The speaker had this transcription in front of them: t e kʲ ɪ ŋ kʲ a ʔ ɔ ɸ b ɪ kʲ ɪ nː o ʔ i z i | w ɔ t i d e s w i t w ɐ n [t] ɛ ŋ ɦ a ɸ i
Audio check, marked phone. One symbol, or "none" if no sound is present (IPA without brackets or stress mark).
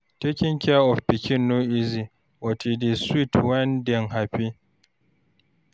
d